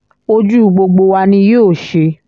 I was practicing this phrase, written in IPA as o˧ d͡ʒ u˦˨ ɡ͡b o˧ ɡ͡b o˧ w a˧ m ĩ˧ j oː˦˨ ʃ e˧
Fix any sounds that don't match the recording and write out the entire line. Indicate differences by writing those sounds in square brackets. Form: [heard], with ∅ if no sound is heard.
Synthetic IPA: o˧ d͡ʒ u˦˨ ɡ͡b o˧ ɡ͡b o˧ w a˧ [n] ĩ˧ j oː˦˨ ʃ e˧